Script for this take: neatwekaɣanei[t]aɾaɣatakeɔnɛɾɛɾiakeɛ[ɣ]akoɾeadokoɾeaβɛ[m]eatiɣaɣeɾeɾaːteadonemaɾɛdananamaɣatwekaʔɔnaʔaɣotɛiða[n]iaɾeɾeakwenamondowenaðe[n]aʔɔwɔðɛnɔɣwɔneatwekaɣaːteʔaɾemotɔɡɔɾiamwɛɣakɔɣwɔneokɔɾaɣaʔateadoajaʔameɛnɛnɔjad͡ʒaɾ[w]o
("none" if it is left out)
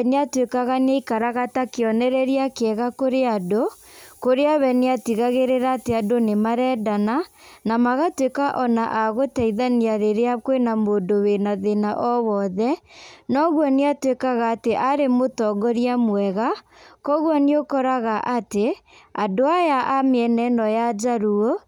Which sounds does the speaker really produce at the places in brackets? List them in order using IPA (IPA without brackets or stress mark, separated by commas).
k, ɣ, n, n, n, u